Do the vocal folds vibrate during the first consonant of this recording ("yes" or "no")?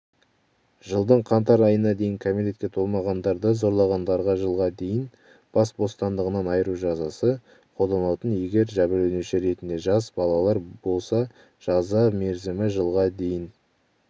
yes